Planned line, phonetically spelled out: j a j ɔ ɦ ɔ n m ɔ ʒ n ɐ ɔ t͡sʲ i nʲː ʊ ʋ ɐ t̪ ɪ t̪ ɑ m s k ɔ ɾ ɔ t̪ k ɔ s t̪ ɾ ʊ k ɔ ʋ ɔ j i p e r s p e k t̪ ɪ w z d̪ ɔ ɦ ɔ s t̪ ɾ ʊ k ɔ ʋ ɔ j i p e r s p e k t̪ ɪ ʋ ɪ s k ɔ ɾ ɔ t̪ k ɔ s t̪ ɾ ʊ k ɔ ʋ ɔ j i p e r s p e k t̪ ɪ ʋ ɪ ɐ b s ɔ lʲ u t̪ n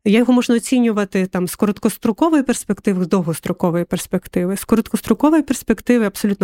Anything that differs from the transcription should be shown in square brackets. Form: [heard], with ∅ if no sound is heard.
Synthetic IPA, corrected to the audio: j a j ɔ ɦ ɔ [∅] m ɔ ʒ n ɐ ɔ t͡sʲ i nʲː ʊ ʋ ɐ t̪ ɪ t̪ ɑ m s k ɔ ɾ ɔ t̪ k ɔ s t̪ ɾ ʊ k ɔ ʋ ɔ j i p e r s p e k t̪ ɪ [ʋ] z d̪ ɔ ɦ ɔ s t̪ ɾ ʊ k ɔ ʋ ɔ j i p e r s p e k t̪ ɪ ʋ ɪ s k ɔ ɾ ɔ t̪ k ɔ s t̪ ɾ ʊ k ɔ ʋ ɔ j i p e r s p e k t̪ ɪ ʋ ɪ ɐ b s ɔ lʲ u t̪ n